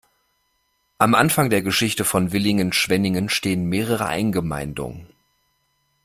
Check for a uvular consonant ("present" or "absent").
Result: present